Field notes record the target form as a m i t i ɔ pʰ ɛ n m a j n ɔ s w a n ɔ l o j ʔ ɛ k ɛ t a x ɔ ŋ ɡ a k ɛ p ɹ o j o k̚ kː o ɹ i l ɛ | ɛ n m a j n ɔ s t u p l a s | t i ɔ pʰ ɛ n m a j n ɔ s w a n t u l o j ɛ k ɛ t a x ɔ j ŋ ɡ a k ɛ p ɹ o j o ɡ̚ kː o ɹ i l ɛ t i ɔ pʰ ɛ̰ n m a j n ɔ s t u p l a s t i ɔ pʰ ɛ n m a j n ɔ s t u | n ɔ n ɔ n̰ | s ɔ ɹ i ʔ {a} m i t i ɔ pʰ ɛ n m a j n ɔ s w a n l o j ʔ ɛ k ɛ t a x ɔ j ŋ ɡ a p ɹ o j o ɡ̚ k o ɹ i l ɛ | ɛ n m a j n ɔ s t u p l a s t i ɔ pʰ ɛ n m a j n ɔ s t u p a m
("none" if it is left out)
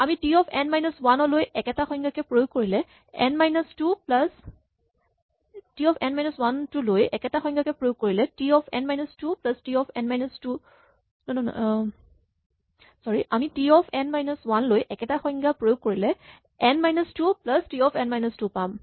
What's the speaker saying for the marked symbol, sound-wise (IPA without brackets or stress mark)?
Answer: a